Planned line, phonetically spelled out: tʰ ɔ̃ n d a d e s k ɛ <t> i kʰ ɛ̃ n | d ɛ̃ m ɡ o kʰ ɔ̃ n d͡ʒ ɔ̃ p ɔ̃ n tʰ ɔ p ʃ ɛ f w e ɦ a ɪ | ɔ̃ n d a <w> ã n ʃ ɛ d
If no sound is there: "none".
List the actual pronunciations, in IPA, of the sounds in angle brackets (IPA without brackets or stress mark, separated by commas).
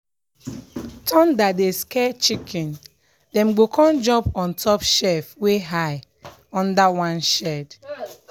t͡ʃ, w